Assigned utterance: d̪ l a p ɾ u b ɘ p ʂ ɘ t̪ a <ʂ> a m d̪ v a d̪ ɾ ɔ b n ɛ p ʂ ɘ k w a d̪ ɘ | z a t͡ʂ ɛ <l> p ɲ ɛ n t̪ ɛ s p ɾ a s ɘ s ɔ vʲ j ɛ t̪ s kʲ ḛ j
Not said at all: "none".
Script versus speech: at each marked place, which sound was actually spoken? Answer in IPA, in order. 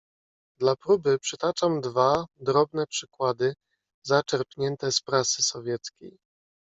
t͡ʂ, ɾ

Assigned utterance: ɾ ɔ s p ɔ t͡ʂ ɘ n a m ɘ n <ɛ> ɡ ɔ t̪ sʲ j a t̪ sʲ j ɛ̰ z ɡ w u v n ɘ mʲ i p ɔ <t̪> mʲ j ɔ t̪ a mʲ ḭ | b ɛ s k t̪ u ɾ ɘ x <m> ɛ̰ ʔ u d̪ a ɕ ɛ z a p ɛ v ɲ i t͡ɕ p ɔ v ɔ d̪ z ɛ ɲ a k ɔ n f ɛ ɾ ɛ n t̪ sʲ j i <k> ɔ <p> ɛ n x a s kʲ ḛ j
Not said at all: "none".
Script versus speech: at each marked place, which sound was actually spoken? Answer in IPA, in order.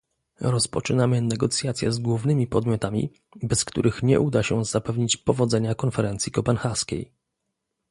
ɛ, d̪, ɲ, k, p

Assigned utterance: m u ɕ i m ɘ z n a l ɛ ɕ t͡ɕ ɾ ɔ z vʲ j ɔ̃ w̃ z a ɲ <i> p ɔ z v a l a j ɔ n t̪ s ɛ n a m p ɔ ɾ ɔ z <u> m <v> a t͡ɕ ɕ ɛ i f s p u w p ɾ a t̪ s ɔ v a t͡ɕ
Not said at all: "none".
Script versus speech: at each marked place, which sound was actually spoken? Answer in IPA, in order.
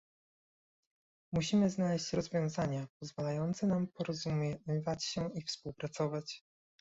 a, u, v

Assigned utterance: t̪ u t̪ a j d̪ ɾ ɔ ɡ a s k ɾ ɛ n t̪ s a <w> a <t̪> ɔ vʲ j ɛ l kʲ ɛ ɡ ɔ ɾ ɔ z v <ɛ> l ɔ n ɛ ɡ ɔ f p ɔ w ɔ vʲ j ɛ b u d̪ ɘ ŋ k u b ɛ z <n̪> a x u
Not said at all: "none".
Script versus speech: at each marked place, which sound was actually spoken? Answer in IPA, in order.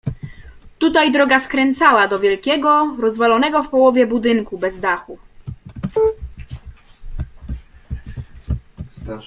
w, d̪, a, d̪

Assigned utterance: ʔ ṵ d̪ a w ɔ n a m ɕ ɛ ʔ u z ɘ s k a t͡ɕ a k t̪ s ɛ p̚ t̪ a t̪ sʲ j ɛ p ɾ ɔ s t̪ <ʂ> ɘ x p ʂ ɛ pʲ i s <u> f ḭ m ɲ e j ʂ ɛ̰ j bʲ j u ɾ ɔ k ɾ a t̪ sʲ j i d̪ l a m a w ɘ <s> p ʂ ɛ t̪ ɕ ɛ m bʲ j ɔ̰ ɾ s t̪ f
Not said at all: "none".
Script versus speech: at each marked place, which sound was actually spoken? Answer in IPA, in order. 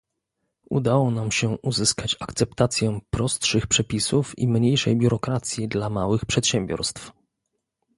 ʂ, u, x

